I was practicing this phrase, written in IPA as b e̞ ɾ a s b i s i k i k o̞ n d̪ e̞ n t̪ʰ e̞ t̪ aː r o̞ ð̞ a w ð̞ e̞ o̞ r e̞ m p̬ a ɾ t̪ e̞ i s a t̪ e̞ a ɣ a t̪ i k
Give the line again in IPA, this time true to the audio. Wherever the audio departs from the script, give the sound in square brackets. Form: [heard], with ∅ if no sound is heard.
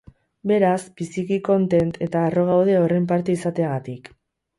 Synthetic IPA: b e̞ ɾ a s b i s i k i k o̞ n [t̪] e̞ n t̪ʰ e̞ t̪ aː r o̞ [ɣ̞] a w ð̞ e̞ o̞ r e̞ m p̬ a ɾ t̪ e̞ i s a t̪ e̞ a ɣ a t̪ i k